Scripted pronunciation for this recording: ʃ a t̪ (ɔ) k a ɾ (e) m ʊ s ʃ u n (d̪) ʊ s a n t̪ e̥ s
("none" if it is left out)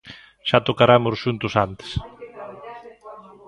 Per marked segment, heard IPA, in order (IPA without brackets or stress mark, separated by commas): o, a, t̪